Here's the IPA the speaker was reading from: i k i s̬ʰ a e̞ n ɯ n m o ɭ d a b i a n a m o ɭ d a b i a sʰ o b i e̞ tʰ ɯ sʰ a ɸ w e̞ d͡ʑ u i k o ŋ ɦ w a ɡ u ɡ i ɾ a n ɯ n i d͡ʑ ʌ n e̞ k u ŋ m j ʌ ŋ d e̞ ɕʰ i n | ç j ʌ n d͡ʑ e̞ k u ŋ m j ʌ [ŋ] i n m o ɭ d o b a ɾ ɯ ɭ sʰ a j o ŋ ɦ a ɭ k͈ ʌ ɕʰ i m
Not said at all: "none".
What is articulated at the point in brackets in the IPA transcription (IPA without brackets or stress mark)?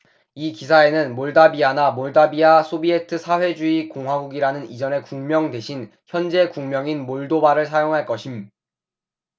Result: ŋ